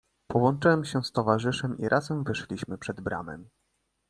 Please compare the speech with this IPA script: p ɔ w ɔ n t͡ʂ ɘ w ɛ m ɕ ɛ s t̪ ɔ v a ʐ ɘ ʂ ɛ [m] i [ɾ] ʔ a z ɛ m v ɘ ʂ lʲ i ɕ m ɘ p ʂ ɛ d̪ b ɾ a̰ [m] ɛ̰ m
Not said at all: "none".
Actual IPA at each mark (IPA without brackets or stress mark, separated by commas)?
m, ɾ, m